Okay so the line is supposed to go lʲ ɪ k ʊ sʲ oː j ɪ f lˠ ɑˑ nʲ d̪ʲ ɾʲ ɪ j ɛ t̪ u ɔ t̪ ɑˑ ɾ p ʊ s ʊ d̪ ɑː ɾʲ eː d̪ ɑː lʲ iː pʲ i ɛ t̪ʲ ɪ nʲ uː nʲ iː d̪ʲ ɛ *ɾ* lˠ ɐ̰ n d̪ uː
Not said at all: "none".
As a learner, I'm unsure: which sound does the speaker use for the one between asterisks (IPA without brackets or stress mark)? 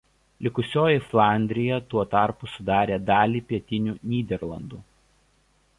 ɾ